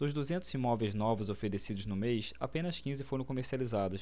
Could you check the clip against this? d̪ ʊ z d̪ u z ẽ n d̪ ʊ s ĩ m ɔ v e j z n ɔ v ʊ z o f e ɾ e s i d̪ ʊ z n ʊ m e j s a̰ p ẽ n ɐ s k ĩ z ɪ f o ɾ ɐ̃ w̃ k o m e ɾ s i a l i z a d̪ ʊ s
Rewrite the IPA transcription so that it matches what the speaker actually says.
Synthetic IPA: d̪ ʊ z d̪ u z ẽ n t̪ ʊ z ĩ m ɔ v e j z n ɔ v ʊ z o f e ɾ e s i d̪ ʊ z n ʊ m e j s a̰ p ẽ n ɐ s k ĩ z ɪ f o ɾ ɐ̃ w̃ k o m e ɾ s i a l i z a d̪ ʊ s